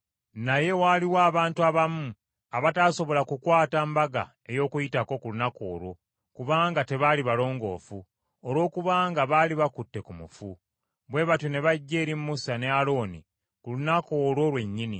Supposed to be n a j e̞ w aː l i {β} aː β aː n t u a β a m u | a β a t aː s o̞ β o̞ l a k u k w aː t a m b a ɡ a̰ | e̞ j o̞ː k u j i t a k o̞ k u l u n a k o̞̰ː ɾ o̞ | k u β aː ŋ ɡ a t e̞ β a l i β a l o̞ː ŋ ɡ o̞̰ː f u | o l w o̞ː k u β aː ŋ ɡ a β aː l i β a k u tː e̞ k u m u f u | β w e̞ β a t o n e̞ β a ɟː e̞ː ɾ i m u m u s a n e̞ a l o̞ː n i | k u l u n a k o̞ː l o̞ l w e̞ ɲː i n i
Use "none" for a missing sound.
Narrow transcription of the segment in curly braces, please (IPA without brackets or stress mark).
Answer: w